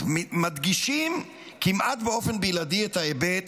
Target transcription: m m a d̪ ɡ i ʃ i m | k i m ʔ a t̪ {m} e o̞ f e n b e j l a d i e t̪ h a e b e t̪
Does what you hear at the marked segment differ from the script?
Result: yes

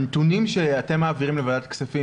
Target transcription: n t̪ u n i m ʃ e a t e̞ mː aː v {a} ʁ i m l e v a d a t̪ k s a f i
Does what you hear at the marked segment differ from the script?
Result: yes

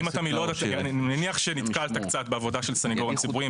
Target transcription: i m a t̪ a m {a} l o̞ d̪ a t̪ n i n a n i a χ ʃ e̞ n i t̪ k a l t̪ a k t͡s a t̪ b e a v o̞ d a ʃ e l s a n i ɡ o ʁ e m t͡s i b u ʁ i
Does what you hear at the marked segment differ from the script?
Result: yes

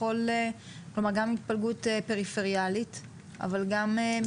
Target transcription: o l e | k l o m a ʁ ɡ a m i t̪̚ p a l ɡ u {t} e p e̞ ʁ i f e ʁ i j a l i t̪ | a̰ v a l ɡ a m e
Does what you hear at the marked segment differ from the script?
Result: no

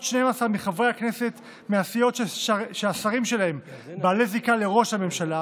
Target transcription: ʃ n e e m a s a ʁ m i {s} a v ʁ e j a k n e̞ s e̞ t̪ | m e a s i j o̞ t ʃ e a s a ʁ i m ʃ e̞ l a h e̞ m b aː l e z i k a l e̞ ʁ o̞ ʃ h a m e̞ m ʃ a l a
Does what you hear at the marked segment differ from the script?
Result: yes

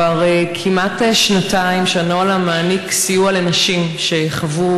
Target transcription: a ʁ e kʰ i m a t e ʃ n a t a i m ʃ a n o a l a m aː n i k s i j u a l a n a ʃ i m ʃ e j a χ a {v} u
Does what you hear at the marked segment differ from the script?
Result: no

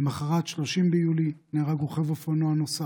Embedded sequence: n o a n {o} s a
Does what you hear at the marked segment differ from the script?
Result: no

